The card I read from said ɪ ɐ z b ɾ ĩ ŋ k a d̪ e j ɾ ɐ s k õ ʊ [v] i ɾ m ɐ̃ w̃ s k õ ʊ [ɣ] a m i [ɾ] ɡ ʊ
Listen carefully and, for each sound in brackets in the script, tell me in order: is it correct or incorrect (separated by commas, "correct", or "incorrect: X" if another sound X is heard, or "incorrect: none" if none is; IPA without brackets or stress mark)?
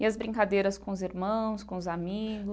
incorrect: z, incorrect: z, incorrect: none